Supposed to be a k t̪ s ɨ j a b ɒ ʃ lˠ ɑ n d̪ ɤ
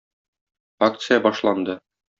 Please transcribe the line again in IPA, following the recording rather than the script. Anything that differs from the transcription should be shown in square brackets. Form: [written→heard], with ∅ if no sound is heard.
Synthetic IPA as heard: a k t̪ s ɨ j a b ɒ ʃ lˠ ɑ n d̪ ɤ